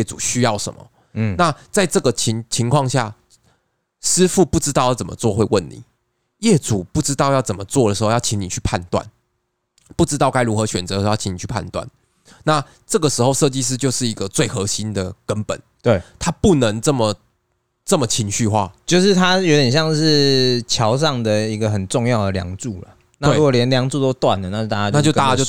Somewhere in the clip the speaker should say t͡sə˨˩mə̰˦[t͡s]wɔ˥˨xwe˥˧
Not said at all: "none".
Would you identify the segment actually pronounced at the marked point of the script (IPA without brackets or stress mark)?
t͡s